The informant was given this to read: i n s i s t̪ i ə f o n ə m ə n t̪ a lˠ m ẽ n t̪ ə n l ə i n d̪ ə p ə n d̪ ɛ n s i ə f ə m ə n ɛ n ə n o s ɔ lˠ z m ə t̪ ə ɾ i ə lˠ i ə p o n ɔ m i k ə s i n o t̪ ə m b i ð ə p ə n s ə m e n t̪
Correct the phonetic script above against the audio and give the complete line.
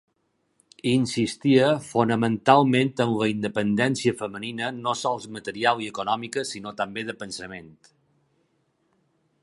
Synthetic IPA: i n s i s t̪ i ə f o n ə m ə n t̪ a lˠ m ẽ n t̪ ə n l ə i n d̪ ə p ə n d̪ ɛ n s i ə f ə m ə n i n ə n o s ɔ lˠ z m ə t̪ ə ɾ i a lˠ i ə k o n ɔ m i k ə s i n o t̪ ə m b e ð ə p ə n s ə m e n t̪